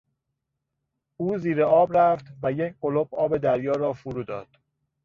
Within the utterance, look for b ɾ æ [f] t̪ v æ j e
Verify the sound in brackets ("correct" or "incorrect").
correct